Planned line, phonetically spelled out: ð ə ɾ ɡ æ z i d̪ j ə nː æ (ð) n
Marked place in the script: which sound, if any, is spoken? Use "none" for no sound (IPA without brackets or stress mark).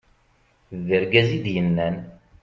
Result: none